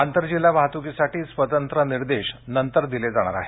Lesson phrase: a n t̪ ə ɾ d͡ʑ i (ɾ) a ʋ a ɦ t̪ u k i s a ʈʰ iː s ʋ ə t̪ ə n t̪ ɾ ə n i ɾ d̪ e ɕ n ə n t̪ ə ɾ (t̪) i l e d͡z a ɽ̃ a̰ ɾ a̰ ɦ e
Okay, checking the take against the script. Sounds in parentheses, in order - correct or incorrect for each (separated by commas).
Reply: incorrect, incorrect